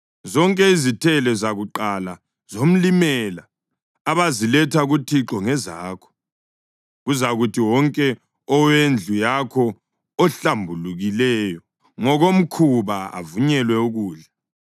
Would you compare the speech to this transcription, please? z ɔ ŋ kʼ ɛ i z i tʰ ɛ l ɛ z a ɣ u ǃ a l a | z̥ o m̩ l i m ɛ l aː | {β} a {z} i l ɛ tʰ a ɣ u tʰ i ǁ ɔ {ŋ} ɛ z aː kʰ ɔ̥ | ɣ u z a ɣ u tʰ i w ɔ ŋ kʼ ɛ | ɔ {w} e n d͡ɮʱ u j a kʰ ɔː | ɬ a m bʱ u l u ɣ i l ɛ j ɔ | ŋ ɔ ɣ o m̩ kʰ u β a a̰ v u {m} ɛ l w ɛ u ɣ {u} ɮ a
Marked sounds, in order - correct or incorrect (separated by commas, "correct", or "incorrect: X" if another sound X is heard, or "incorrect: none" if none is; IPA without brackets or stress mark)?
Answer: correct, correct, correct, correct, incorrect: ɲ, incorrect: uː